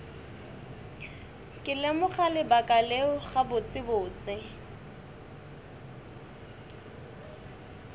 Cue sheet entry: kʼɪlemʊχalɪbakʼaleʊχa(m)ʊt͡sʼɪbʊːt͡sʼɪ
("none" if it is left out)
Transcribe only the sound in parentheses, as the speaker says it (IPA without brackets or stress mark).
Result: b